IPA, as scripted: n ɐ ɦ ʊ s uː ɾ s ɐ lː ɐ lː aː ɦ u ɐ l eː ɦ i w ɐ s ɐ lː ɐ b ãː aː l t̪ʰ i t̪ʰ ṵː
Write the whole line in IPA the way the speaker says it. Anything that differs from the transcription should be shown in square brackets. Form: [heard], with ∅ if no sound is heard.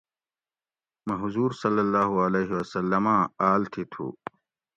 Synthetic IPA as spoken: [m] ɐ ɦ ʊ [z] uː ɾ s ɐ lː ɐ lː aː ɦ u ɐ l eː ɦ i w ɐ s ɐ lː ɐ [m] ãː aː l t̪ʰ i t̪ʰ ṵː